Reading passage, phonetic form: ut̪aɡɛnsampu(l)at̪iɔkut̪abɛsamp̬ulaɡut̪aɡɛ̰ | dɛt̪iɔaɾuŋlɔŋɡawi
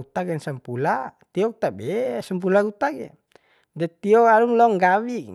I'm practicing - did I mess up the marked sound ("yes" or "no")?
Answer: no